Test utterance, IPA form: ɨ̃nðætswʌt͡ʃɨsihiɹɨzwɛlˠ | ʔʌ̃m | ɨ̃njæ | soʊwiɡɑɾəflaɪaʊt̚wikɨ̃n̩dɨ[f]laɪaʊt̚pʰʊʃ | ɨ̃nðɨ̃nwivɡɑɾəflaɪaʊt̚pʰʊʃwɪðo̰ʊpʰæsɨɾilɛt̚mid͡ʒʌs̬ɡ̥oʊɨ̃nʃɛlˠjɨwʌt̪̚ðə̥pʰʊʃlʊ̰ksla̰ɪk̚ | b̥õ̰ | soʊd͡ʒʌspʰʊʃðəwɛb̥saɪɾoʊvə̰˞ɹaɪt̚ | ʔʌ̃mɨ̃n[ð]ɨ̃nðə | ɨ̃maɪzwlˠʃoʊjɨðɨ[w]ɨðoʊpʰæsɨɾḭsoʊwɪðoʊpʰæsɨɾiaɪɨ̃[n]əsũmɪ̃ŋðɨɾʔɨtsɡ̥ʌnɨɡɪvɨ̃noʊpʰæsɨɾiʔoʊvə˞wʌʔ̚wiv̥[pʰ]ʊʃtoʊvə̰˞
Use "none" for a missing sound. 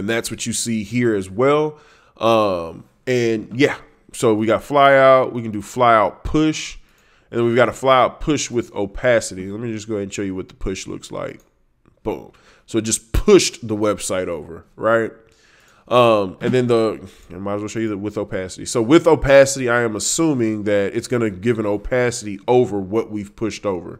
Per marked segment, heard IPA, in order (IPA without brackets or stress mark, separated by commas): f, ð, w, m, pʰ